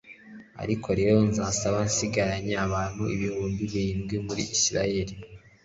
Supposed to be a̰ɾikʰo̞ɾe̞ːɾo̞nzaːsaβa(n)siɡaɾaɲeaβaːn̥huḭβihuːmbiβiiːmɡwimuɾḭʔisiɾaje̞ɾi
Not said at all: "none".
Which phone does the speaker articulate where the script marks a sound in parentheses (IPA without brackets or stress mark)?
n